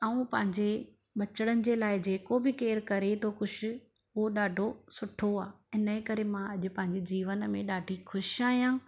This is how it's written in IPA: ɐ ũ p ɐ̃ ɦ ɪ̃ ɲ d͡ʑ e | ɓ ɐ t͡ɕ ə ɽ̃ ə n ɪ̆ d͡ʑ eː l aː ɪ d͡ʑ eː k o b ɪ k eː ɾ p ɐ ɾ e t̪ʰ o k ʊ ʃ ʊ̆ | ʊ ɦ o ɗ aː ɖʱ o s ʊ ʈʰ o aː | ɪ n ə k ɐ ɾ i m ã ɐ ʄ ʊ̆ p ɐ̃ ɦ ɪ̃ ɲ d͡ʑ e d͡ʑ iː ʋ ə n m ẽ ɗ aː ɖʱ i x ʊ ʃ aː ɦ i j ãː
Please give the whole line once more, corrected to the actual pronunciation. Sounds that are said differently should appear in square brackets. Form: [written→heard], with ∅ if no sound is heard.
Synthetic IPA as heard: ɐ ũ p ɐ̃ ɦ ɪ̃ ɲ d͡ʑ e | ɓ ɐ t͡ɕ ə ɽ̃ ə n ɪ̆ d͡ʑ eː l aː ɪ d͡ʑ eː k o b ɪ k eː ɾ [p→k] ɐ ɾ e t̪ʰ o k ʊ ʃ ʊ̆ | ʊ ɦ o ɗ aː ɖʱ o s ʊ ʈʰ o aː | ɪ n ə k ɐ ɾ [i→e] m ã ɐ ʄ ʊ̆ p ɐ̃ ɦ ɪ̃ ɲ d͡ʑ e d͡ʑ iː ʋ ə n m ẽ ɗ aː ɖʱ i x ʊ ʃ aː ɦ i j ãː